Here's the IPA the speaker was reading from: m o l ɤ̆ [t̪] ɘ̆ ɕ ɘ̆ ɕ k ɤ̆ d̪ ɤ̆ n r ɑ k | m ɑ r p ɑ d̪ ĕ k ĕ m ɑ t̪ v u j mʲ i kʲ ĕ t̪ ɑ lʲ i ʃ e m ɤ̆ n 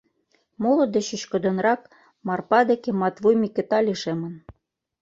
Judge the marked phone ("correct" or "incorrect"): incorrect